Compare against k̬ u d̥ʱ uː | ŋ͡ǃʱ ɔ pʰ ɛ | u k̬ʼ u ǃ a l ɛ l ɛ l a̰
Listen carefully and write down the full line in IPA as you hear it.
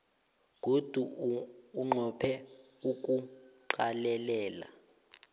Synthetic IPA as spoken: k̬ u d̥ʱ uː | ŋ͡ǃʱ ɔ pʰ ɛ | u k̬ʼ u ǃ a l ɛ l ɛː l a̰